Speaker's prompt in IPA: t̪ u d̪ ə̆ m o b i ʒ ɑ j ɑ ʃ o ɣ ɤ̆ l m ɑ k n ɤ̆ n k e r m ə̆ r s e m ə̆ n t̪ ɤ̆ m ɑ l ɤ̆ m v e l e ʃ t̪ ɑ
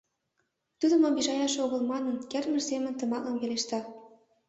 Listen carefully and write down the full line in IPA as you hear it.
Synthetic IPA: t̪ u d̪ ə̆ m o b i ʒ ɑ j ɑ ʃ o ɣ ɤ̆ l m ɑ n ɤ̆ n k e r m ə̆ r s e m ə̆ n t̪ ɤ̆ m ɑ l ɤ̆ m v e l e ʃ t̪ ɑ

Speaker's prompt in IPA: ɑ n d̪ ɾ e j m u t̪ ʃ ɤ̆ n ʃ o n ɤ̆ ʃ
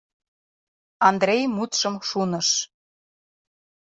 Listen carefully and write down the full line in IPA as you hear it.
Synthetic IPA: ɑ n d̪ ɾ e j m u t̪ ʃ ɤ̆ m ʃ u n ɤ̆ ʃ

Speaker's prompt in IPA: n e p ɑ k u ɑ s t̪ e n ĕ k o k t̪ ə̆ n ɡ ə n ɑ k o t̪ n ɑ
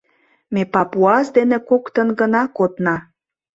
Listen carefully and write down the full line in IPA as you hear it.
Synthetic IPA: m e p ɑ p u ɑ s d̪ e n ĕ k o k t̪ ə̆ n ɡ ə n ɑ k o t̪ n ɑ

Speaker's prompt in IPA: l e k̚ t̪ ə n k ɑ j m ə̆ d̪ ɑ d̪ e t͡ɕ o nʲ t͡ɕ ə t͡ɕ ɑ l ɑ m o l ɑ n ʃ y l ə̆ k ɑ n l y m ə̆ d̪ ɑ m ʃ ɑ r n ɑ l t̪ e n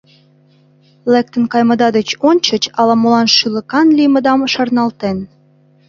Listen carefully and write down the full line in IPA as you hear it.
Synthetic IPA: l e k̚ t̪ ə n k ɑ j m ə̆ d̪ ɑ d̪ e t͡ɕ o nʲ t͡ɕ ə t͡ɕ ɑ l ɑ m o l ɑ n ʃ y l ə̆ k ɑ n l i m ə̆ d̪ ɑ m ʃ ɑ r n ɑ l t̪ e n

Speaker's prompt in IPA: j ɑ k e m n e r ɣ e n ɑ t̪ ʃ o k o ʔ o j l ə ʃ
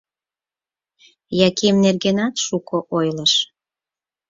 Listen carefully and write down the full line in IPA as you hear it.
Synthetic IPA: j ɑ k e m n e r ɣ e n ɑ t̪ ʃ u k o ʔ o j l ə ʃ

